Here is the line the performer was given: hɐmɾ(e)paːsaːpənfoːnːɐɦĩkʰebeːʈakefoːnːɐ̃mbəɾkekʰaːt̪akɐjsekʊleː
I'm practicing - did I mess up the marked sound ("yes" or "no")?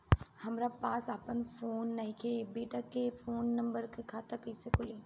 yes